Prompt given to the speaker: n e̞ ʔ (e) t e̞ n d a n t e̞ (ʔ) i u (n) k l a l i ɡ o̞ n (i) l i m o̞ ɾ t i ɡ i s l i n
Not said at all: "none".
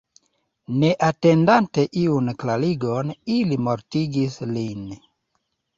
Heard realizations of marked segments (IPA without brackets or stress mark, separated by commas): a, ʔ, n, i